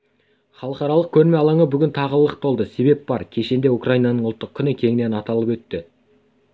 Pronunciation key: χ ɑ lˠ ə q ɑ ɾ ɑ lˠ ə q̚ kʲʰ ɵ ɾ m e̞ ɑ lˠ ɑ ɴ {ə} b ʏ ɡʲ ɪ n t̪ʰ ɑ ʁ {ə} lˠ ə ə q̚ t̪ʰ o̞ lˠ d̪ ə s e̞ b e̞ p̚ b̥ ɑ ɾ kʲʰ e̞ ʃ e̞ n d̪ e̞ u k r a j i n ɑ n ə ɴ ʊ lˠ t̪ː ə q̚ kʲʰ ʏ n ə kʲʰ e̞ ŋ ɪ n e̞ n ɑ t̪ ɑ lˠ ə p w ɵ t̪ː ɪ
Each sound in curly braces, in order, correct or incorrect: correct, correct

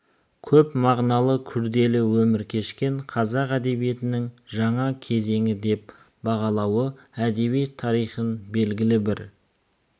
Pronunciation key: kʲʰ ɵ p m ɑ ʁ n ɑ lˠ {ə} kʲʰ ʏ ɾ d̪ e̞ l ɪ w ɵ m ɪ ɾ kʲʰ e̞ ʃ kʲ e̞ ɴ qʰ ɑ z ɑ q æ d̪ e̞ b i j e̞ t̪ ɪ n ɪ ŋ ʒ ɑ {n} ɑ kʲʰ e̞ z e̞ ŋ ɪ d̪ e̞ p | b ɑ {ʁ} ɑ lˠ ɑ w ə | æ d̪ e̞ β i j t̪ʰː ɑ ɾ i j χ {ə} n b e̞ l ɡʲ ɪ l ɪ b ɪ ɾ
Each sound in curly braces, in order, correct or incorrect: correct, incorrect, correct, correct

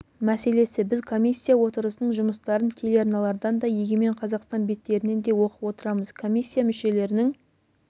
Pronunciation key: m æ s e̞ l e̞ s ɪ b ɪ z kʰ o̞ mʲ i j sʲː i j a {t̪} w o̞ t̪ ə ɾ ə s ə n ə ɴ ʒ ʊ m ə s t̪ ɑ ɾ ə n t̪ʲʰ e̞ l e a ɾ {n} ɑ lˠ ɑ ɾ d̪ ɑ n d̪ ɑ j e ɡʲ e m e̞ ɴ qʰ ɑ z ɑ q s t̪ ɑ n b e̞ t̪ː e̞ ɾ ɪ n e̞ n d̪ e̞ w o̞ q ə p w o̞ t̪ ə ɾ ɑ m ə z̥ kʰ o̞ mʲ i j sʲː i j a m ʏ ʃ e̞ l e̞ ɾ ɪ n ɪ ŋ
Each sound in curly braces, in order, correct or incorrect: incorrect, correct

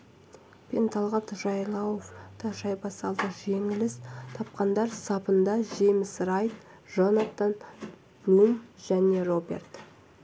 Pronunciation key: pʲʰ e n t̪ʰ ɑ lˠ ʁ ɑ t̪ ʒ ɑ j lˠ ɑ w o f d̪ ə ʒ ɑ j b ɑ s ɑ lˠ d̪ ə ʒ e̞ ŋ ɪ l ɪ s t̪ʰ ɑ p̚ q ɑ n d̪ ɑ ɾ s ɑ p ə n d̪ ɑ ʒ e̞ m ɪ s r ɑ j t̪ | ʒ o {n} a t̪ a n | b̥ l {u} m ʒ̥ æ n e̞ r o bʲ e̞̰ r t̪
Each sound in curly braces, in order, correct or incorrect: correct, correct

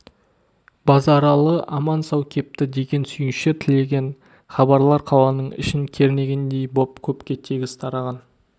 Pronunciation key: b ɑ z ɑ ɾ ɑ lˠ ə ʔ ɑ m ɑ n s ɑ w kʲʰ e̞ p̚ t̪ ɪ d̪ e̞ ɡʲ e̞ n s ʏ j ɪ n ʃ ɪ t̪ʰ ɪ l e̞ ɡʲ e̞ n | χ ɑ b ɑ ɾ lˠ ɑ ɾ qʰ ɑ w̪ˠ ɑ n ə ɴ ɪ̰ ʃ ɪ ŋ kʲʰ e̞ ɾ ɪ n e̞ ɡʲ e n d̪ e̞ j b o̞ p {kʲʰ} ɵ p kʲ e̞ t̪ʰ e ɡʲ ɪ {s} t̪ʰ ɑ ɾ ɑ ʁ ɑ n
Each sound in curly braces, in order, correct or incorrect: correct, correct

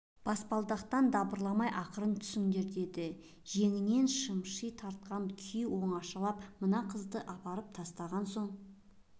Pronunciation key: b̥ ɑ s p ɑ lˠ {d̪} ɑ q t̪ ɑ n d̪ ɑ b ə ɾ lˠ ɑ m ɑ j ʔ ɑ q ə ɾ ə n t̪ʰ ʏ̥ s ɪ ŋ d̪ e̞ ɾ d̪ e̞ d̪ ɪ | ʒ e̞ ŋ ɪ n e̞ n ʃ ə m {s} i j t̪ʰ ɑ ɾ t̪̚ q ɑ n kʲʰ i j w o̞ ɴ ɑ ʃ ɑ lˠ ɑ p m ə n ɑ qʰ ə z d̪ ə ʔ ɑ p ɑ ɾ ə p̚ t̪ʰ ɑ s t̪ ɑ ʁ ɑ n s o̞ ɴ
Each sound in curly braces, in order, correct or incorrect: correct, incorrect

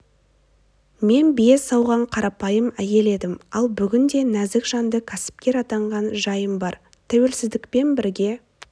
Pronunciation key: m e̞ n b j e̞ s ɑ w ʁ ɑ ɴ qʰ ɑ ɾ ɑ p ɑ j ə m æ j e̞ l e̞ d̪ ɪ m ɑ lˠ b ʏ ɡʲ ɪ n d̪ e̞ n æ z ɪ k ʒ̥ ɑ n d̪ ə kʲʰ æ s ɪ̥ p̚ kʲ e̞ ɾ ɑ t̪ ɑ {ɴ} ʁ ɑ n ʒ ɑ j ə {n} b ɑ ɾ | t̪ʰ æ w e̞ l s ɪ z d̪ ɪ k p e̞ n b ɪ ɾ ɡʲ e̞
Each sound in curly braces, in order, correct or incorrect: correct, incorrect

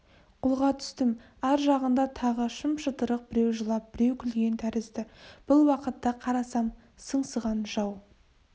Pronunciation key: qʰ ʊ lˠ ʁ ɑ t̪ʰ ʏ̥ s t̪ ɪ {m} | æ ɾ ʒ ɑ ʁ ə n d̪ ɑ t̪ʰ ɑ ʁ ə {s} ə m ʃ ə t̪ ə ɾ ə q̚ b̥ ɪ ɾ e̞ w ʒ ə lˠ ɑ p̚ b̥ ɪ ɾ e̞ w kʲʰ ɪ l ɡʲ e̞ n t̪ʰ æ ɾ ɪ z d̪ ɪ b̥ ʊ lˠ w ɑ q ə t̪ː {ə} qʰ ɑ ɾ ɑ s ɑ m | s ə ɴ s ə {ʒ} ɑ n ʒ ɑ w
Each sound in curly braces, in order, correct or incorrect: correct, incorrect, incorrect, incorrect

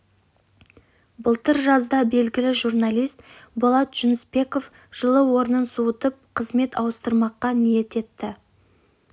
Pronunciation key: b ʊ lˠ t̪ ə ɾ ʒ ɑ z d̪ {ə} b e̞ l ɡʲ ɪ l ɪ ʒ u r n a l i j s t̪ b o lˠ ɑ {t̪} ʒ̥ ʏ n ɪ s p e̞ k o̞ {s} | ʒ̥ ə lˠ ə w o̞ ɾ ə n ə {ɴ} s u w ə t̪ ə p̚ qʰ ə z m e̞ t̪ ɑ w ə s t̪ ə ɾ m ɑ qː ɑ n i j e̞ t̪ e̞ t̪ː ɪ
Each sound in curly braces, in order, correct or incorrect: incorrect, correct, incorrect, incorrect

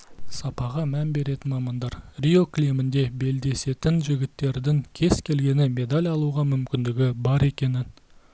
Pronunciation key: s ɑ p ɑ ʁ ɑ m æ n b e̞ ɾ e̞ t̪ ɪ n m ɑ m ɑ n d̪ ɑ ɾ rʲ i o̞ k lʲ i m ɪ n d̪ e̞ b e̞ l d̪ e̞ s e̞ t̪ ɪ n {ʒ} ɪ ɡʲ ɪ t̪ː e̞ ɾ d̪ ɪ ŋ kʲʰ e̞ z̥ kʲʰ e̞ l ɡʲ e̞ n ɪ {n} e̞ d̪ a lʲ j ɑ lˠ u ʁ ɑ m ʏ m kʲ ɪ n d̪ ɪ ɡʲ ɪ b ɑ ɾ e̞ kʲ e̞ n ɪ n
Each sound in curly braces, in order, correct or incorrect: correct, incorrect

